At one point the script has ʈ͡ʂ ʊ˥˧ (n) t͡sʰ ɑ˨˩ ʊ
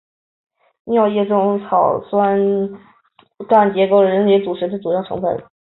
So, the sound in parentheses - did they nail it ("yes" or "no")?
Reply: no